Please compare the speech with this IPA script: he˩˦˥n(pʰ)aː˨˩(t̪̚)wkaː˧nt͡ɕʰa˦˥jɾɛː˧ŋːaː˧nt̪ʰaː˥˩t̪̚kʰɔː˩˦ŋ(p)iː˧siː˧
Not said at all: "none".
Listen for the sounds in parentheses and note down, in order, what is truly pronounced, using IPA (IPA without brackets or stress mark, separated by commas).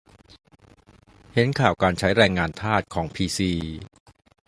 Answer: kʰ, none, pʰ